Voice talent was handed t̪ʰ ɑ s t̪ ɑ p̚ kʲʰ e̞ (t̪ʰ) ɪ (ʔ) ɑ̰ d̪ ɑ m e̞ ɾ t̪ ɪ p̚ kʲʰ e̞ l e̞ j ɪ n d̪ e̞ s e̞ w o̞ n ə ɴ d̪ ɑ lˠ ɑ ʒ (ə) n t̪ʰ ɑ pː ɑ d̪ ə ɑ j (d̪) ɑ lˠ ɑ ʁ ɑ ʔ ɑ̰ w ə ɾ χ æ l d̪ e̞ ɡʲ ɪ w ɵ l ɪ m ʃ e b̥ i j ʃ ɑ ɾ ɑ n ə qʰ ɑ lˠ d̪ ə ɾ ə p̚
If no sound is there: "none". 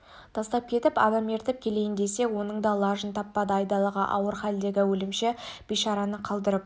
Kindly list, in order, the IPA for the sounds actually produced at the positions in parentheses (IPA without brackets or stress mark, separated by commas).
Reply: t̪, p, ə, d̪